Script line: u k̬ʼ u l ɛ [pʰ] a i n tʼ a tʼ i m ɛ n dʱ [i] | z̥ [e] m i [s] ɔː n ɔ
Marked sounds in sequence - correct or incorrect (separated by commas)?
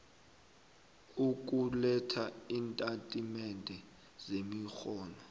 incorrect, incorrect, correct, incorrect